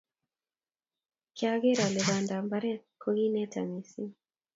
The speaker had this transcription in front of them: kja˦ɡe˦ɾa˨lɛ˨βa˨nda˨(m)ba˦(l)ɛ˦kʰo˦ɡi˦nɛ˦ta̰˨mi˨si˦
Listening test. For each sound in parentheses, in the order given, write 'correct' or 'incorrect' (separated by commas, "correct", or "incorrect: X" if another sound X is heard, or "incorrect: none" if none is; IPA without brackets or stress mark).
correct, incorrect: ɾ